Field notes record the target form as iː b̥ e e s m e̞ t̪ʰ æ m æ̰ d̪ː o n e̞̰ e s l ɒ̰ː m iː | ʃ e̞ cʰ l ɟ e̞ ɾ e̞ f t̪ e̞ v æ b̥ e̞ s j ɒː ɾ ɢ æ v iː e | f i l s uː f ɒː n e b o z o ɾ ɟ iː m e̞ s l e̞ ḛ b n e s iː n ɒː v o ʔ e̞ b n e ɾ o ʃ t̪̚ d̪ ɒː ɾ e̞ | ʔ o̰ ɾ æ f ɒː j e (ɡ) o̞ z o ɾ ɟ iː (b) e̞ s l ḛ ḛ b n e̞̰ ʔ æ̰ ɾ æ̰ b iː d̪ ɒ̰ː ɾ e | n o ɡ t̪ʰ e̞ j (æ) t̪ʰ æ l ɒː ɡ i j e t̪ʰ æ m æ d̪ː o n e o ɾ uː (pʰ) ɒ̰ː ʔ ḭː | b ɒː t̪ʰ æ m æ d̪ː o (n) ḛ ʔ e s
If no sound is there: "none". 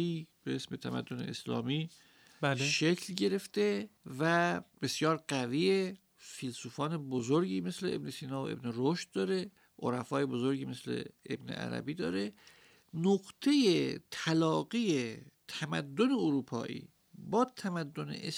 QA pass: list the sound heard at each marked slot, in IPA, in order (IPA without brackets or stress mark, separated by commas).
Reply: b, m, e, pʰ, n